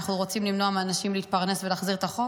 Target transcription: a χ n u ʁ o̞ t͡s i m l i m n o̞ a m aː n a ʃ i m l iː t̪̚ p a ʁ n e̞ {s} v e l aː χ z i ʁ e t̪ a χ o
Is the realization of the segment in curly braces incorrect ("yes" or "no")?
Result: no